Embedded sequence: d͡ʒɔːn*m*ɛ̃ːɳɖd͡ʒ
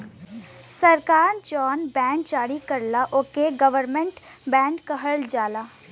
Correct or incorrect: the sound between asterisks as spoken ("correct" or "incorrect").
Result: incorrect